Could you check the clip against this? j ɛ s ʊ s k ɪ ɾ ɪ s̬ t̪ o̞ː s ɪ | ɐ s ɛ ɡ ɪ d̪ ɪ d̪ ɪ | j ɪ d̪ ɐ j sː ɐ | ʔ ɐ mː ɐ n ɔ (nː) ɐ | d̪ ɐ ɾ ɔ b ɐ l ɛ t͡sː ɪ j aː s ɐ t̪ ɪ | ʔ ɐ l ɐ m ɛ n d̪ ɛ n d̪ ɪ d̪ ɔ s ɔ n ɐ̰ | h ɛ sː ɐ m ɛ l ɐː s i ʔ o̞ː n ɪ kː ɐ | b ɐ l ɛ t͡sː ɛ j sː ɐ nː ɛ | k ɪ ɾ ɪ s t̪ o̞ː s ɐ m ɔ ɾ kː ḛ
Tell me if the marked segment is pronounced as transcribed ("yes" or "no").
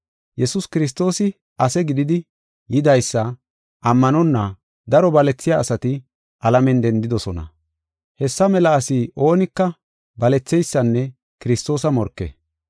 yes